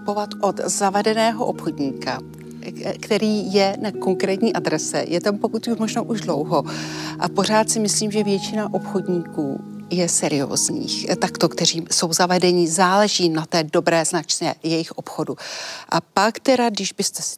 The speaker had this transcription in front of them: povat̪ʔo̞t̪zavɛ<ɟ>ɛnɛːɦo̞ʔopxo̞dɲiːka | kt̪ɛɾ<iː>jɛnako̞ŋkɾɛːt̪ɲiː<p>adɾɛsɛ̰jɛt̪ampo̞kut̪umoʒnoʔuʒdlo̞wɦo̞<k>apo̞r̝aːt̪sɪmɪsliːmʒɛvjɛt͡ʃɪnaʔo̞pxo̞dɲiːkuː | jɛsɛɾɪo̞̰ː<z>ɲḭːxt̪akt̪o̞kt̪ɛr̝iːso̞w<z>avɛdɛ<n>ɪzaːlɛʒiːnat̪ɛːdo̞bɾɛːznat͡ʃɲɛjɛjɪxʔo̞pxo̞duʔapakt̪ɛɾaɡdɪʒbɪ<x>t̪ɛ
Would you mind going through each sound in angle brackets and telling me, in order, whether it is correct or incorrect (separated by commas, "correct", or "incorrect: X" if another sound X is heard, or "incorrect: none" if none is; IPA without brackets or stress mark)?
incorrect: d, correct, incorrect: ʔ, incorrect: ʔ, correct, correct, incorrect: ɲ, incorrect: s